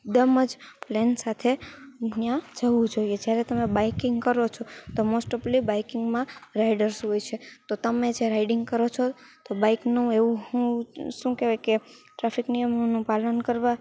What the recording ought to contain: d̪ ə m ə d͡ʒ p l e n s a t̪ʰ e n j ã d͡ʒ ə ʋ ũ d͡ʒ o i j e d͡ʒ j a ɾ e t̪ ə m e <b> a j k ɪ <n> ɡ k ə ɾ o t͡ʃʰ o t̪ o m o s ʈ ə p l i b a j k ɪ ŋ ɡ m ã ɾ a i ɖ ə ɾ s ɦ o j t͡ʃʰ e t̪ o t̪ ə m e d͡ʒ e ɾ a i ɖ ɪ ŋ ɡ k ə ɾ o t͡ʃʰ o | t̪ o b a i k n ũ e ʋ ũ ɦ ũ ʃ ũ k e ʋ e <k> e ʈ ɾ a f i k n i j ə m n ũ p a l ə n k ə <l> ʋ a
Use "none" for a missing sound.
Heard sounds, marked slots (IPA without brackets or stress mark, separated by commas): b, ŋ, k, ɾ